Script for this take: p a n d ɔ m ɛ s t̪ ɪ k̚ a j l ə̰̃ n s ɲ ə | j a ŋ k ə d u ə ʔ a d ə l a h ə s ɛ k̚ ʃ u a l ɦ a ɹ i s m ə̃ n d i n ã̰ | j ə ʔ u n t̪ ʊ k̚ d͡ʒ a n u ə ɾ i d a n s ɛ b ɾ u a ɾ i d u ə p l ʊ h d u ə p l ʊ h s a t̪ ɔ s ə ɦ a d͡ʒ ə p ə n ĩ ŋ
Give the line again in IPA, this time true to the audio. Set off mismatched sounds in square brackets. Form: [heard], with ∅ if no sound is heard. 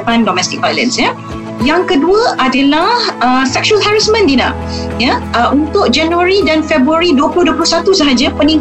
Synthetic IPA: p a n d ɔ m ɛ s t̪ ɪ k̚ a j l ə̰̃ n s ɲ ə | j a ŋ k ə d u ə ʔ a d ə l a h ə s ɛ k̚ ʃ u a l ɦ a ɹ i s m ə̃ n d i n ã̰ | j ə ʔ u n t̪ ʊ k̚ d͡ʒ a n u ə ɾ i d a n [f] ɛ b ɾ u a ɾ i d u ə p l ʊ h d u ə p l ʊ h s a t̪ [u] s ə ɦ a d͡ʒ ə p ə n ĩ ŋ